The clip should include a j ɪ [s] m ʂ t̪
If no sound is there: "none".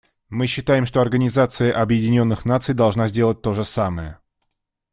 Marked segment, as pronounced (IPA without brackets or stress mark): none